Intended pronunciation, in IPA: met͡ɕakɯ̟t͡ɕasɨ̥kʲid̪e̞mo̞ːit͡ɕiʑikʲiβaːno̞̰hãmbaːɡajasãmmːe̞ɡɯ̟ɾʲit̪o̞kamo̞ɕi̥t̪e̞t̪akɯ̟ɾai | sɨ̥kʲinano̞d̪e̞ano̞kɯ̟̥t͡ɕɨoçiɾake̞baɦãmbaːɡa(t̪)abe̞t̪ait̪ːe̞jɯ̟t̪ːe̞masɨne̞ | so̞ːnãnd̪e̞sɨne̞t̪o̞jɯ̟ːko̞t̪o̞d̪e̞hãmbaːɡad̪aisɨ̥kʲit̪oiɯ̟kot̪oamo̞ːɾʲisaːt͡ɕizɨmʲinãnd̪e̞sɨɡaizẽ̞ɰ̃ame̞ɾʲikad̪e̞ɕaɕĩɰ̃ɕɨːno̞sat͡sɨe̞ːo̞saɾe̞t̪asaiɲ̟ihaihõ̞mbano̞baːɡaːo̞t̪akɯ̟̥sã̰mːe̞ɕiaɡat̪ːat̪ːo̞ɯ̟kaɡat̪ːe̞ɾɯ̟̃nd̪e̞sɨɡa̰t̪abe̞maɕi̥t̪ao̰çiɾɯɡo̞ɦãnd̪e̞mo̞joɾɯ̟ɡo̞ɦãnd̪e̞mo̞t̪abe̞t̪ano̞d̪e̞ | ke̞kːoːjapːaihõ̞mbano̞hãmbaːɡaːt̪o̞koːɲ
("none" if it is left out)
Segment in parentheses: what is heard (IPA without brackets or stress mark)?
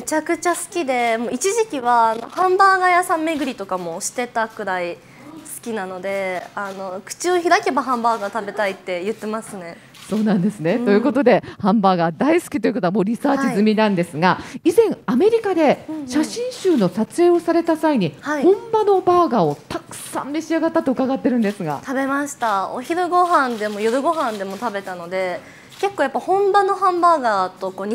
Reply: t̪